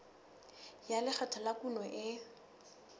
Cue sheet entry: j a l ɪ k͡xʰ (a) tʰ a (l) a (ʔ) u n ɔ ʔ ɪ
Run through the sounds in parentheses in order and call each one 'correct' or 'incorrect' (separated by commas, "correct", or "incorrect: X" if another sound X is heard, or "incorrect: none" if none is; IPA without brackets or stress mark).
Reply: correct, correct, incorrect: k